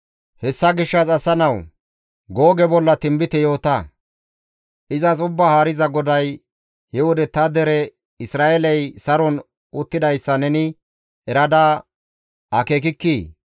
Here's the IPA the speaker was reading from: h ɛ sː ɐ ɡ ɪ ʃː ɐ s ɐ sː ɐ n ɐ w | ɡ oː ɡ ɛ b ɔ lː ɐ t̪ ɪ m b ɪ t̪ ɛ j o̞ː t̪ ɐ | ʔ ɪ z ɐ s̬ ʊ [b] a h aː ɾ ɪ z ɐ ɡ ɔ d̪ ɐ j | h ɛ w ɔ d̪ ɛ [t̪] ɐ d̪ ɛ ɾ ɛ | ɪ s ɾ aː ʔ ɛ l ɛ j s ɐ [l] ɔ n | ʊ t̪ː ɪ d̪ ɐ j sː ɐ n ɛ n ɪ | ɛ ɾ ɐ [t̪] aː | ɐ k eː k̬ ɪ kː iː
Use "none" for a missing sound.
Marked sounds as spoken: bː, t̪, ɾ, d̪

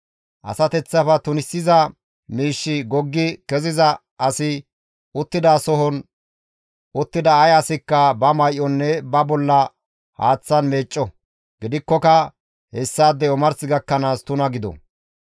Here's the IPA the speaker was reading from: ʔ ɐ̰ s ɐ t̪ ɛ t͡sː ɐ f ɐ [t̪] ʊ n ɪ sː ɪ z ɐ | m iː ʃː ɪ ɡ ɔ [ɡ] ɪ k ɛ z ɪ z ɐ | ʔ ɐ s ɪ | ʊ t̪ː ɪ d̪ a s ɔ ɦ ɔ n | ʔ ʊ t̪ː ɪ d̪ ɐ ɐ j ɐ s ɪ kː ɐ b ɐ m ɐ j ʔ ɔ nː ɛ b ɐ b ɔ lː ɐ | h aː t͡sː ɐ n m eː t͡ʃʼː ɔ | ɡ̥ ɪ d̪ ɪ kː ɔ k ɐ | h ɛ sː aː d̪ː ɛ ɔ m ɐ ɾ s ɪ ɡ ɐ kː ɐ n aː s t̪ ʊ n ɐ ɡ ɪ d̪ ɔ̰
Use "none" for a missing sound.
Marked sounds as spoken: t̪, ɡː

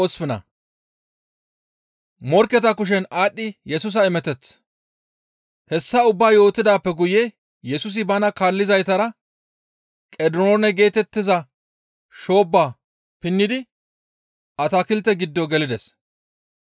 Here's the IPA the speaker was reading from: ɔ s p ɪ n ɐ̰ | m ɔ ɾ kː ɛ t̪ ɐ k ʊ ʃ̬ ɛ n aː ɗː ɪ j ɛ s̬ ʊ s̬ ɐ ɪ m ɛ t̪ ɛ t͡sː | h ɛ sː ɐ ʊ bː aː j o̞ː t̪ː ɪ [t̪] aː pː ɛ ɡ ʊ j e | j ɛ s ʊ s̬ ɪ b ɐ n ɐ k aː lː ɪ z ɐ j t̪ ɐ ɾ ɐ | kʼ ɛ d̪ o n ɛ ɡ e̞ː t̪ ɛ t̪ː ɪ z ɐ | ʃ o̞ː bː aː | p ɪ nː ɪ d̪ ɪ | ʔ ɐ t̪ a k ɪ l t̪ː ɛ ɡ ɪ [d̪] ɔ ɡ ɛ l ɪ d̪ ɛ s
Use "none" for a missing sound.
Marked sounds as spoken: d̪, d̪ː

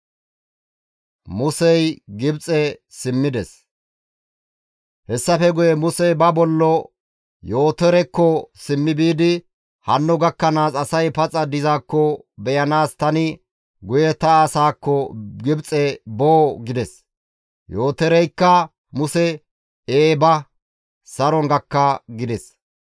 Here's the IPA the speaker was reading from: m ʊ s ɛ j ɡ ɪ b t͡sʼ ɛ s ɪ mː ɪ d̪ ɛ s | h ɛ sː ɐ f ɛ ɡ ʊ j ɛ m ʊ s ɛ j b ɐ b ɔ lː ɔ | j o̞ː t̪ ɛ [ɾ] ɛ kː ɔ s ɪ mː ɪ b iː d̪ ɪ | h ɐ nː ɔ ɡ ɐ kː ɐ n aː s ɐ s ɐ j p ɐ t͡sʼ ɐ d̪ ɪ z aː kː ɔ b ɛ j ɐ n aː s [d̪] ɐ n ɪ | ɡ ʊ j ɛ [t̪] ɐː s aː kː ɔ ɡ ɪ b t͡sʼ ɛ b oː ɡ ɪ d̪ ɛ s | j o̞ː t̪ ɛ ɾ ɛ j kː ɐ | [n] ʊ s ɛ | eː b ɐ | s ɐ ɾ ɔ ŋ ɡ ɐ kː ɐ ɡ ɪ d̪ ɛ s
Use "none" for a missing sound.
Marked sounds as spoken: ɾ, t̪, t̪, m

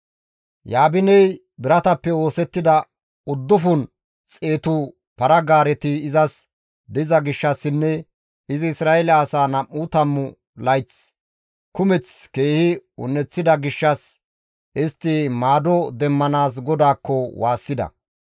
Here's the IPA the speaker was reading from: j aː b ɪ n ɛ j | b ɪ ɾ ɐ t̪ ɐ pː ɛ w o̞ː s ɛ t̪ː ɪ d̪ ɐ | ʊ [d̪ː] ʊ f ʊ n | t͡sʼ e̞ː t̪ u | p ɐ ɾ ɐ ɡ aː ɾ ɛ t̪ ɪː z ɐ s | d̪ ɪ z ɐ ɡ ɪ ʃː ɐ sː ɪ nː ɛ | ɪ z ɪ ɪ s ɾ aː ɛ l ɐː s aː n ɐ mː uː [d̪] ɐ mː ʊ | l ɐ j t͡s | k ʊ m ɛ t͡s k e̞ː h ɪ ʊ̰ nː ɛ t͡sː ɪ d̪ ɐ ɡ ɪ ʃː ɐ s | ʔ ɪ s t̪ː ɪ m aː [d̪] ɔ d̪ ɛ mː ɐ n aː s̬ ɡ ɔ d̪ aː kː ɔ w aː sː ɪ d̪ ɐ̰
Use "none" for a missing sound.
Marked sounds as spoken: d̪ː, t̪, d̪

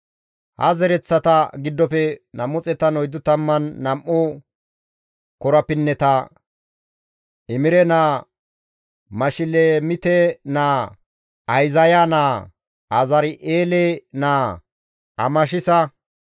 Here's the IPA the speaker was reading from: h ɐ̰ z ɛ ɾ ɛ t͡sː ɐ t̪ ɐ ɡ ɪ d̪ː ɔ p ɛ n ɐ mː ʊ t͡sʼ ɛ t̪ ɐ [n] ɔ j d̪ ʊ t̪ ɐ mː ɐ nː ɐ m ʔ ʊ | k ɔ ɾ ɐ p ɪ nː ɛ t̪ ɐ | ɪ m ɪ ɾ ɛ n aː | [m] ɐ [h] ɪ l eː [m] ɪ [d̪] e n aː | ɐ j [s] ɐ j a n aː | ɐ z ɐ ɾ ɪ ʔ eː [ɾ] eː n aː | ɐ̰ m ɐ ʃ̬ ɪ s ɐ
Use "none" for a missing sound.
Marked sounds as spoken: n, m, ʃ, m, t̪, z, l

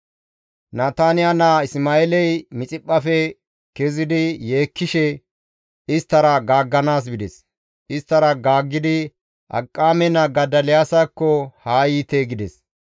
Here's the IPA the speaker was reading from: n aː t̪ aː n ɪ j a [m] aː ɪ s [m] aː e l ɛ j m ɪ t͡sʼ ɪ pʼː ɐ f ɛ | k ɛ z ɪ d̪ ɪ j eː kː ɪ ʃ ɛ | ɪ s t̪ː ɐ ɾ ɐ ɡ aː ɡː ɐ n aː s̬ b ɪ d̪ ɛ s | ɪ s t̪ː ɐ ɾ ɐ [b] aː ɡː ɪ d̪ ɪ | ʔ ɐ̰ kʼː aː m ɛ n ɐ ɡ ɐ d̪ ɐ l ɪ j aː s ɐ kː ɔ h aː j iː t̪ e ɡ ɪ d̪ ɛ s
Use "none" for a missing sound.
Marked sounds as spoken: n, m, ɡ

